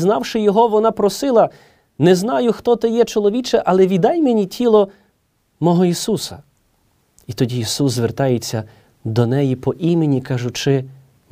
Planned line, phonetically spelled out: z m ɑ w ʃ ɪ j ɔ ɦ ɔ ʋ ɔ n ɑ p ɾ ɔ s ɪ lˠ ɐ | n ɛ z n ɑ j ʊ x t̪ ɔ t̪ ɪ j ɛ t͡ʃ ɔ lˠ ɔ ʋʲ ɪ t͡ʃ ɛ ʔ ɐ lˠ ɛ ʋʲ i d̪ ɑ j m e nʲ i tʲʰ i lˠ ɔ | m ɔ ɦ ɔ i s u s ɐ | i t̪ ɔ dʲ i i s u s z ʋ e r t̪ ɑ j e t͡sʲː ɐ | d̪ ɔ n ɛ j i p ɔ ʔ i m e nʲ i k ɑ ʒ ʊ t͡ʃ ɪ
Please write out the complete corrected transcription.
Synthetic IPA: z n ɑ w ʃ ɪ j ɔ ɦ ɔ ʋ ɔ n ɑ p ɾ ɔ s ɪ lˠ ɐ | n ɛ z n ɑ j ʊ x t̪ ɔ t̪ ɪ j ɛ t͡ʃ ɔ lˠ ɔ ʋʲ i t͡ʃ ɛ ʔ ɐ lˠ ɛ ʋʲ i d̪ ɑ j m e nʲ i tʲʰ i lˠ ɔ | m ɔ ɦ ɔ i s u s ɐ | i t̪ ɔ dʲ i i s u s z ʋ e r t̪ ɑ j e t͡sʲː ɐ | d̪ ɔ n ɛ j i p ɔ ʔ i m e nʲ i k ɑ ʒ ʊ t͡ʃ ɪ